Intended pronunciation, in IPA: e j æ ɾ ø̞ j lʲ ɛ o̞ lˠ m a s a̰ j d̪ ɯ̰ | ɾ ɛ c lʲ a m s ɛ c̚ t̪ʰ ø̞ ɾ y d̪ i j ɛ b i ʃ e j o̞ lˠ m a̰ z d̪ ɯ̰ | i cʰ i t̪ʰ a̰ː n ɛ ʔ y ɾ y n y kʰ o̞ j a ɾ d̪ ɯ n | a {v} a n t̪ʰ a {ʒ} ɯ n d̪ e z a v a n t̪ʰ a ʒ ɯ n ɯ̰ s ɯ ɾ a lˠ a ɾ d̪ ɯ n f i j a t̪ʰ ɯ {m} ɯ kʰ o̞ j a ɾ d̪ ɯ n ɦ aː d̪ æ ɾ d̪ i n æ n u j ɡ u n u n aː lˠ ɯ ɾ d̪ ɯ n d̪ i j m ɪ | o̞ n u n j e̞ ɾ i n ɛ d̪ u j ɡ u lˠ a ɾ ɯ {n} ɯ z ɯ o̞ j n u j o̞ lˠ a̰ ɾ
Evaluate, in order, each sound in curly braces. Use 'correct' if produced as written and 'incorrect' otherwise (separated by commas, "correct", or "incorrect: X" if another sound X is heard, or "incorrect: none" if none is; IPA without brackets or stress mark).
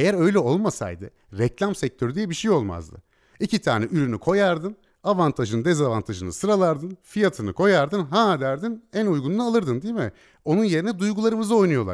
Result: correct, correct, incorrect: n, incorrect: m